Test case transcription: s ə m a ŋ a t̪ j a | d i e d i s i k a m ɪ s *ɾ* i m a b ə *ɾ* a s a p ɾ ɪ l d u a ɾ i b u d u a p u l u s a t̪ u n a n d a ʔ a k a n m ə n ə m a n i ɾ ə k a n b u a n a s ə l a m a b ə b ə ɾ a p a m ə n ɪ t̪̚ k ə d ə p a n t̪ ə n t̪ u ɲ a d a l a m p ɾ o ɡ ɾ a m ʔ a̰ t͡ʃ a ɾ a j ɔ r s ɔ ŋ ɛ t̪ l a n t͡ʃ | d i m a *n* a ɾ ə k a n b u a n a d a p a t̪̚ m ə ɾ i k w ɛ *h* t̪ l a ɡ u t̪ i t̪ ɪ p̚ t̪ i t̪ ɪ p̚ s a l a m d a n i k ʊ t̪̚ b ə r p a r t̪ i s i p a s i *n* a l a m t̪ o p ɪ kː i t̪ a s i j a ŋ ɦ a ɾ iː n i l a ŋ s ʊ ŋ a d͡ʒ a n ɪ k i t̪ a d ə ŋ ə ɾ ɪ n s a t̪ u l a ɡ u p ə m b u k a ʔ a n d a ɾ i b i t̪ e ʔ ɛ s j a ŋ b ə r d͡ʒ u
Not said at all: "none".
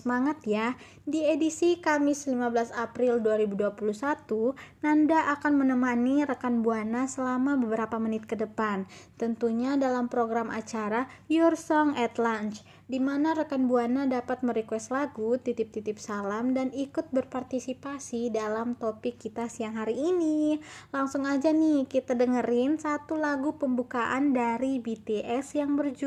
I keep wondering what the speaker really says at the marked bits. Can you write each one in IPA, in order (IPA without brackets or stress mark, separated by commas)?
l, l, n, s, d